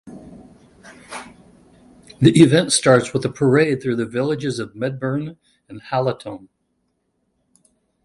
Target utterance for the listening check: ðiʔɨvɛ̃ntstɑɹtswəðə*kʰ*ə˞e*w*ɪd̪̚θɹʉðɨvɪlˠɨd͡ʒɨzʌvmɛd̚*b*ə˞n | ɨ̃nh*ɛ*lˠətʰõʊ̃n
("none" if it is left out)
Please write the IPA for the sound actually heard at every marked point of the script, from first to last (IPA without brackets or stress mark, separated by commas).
pʰ, none, b, æ